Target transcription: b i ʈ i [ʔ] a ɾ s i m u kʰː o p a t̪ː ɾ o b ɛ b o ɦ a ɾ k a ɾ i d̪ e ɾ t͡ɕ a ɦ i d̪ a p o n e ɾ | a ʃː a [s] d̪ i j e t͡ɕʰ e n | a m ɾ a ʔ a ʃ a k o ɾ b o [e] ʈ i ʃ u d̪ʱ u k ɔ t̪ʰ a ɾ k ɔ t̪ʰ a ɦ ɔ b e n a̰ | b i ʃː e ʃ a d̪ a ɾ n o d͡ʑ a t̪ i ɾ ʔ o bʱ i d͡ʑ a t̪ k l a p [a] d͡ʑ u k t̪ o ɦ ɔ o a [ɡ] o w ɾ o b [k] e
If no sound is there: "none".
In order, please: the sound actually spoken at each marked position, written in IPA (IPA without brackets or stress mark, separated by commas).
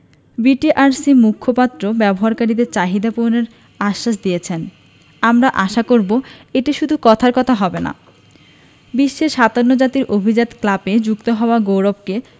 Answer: ʔ, ʃ, e, e, ɡ, k